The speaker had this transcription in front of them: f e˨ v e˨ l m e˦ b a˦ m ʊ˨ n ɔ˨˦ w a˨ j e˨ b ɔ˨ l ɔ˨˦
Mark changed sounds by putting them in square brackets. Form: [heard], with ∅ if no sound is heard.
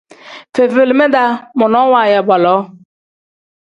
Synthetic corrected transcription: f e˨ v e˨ l m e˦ [d] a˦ m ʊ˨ n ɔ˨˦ w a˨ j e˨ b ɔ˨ l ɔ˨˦